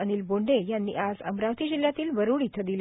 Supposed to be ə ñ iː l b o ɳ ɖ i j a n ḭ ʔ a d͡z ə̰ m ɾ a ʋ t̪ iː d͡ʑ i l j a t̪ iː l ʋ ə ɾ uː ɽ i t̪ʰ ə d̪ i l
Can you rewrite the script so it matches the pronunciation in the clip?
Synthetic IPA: ə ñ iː l b o ɳ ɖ e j a nː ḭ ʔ a d͡z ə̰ m ɾ a ʋ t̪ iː d͡ʑ i l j a t̪ iː l ʋ ə ɾ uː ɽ i t̪ʰ ə d̪ i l